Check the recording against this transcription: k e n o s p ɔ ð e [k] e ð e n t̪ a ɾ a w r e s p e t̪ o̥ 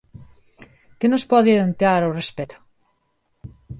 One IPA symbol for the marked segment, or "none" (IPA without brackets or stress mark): none